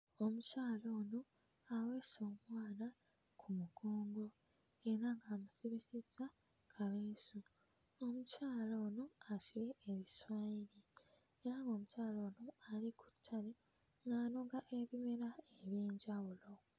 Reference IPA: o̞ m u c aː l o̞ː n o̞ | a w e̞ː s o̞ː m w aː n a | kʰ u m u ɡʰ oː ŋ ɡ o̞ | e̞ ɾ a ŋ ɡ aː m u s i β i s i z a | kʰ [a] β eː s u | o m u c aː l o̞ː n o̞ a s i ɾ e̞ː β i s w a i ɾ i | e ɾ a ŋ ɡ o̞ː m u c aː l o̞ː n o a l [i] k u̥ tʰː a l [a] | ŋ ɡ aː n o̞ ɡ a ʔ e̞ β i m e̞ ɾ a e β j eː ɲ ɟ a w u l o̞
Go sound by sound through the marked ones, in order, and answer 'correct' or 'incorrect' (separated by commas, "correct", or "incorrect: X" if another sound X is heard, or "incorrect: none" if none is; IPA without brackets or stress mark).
correct, correct, incorrect: e